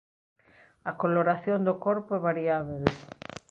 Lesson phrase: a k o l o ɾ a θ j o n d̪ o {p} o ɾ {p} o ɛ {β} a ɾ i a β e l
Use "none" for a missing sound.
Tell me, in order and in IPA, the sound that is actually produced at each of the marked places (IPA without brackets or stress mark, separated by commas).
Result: k, p, β